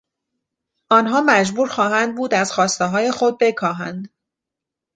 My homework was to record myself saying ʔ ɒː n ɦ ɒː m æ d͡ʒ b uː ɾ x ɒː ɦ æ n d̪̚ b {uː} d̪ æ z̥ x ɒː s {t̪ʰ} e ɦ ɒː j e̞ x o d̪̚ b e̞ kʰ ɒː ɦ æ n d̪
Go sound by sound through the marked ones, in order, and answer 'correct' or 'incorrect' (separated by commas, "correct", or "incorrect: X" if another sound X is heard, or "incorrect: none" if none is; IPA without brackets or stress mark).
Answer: correct, incorrect: t̪